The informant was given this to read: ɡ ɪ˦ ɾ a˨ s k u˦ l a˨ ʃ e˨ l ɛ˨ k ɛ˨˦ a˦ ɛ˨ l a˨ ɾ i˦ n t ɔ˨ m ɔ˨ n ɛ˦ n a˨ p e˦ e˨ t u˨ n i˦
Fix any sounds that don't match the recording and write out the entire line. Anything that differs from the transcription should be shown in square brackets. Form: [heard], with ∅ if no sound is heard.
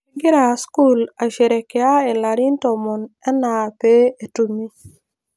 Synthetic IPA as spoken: ɡ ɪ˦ ɾ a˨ s k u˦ l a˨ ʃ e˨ [ɾ] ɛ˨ k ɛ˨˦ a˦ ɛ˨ l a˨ ɾ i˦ n t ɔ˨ m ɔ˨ n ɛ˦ n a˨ p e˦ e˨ t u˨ [m] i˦